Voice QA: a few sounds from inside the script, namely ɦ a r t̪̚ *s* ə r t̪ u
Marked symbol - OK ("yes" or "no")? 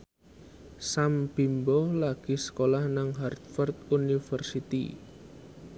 no